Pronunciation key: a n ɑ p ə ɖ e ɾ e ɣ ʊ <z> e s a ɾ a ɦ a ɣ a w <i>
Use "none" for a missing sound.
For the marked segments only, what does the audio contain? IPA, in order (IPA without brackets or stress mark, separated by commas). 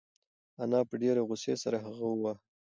s, a